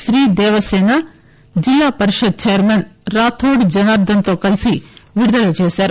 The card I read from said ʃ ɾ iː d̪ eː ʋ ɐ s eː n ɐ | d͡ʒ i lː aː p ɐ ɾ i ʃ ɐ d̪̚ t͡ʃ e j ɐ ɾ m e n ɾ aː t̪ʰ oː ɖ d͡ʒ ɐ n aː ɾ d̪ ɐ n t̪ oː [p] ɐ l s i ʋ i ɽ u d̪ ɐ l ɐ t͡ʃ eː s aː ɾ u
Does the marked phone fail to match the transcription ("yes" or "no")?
yes